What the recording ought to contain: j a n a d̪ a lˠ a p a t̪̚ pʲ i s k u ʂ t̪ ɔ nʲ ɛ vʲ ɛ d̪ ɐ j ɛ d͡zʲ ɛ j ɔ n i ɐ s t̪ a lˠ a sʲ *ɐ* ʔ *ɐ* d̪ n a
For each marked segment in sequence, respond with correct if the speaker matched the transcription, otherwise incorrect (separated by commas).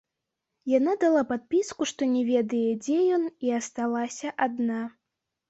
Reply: correct, incorrect